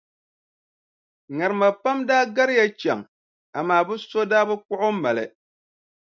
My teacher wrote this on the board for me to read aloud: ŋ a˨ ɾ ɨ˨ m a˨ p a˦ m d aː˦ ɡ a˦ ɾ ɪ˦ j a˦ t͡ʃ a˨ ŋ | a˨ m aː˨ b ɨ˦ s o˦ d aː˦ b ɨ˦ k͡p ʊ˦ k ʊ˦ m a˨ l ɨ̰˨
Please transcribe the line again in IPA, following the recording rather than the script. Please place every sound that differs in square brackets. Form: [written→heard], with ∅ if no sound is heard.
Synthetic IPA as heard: ŋ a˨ ɾ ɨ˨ m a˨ p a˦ m d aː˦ ɡ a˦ ɾ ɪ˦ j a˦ t͡ʃ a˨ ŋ | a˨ m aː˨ b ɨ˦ s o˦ d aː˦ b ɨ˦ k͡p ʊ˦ [k→ʔ] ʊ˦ m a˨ l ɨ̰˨

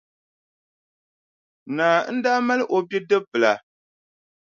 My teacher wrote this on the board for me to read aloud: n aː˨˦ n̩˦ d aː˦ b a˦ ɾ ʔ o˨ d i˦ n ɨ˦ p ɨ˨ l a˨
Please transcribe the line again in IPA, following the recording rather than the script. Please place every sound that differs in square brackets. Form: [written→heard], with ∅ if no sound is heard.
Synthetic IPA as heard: n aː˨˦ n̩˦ d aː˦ [b→m] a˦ [ɾ→l] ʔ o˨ [d→b] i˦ [n→d] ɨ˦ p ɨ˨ l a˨

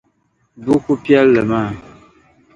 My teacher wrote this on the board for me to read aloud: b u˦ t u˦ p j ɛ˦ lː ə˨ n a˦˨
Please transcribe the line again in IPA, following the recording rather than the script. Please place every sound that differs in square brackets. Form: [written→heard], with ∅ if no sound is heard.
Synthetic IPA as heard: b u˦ [t→k] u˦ p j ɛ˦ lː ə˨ [n→m] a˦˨

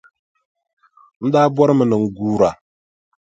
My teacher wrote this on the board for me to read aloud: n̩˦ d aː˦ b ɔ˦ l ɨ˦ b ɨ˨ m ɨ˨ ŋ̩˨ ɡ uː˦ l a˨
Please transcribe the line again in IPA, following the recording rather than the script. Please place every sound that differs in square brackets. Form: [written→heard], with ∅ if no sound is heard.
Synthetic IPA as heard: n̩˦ d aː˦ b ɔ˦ [l→ɾ] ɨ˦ [b→m] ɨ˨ [m→n] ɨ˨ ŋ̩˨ ɡ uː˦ [l→ɾ] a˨

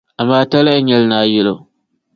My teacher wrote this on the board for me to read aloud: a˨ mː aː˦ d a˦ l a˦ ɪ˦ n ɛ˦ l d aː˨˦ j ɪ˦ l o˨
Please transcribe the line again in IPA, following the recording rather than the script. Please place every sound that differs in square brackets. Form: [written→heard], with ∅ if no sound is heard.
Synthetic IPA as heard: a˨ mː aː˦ [d→t] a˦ l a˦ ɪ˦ [n→ɲ] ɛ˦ l [d→n] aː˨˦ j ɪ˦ l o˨

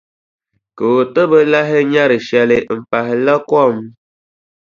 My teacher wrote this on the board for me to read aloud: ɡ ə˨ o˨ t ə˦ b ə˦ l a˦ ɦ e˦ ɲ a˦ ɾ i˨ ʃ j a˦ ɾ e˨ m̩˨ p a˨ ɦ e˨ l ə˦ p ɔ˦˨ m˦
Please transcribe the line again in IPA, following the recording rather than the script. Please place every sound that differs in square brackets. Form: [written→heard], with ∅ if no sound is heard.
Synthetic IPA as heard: [ɡ→k] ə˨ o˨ t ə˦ b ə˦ l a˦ ɦ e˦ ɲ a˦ ɾ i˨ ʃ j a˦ [ɾ→l] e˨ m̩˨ p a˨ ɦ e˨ l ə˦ [p→k] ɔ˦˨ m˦

